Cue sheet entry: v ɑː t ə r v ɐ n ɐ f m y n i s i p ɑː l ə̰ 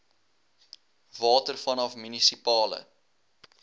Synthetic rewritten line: v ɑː t ə r f ɐ n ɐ f m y n i s i p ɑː l ə̰